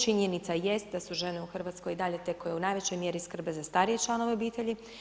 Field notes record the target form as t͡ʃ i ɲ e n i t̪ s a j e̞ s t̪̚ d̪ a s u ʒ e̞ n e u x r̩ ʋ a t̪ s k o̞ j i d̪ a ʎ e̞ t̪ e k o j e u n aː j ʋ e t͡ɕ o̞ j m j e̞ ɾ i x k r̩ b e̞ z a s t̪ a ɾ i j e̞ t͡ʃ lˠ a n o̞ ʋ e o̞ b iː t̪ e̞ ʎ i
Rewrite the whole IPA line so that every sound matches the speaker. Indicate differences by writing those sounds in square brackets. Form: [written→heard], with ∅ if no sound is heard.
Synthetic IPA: t͡ʃ i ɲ e n i t̪ s a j e̞ s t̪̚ d̪ a s u ʒ e̞ n e u x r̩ ʋ a t̪ s k o̞ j i d̪ a ʎ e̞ t̪ e k o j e u n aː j ʋ e t͡ɕ o̞ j m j e̞ ɾ i [x→s] k r̩ b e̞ z a s t̪ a ɾ i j e̞ t͡ʃ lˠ a n o̞ ʋ e o̞ b iː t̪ e̞ ʎ i